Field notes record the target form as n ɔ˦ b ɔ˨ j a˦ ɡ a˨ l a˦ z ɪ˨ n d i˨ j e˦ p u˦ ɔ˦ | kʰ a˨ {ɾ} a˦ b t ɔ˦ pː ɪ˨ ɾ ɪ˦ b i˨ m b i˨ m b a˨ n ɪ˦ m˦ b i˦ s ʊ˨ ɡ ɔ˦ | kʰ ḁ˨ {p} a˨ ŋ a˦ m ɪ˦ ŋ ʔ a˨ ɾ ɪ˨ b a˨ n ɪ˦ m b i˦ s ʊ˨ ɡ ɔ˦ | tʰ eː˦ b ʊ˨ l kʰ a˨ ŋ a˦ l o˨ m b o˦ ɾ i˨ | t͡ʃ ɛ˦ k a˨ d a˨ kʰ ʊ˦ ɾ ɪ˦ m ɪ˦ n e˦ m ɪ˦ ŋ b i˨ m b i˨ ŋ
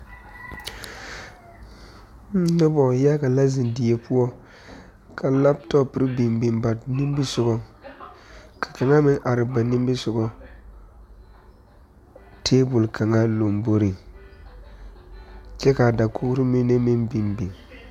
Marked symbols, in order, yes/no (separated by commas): no, no